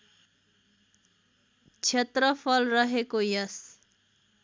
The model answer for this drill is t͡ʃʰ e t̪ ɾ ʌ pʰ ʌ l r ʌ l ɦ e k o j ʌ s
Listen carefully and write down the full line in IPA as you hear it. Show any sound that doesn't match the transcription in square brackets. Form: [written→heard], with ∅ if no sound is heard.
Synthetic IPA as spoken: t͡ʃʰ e t̪ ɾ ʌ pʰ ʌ l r ʌ [l→∅] ɦ e k o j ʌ s